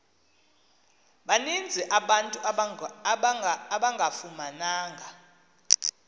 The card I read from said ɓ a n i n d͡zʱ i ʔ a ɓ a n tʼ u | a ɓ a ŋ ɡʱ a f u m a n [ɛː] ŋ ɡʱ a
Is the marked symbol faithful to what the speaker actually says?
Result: no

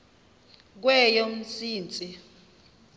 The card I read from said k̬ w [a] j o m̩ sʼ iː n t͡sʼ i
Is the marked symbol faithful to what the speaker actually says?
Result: no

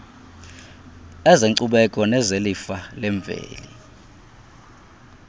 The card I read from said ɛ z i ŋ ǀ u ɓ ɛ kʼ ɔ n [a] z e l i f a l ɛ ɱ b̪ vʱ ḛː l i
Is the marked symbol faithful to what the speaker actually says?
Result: no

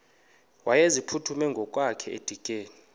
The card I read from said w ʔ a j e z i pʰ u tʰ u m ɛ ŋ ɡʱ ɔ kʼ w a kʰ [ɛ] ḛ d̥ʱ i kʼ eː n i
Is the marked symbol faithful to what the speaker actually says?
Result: yes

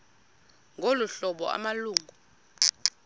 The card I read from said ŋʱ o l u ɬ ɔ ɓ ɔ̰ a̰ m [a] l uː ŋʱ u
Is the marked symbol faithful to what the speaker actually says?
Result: yes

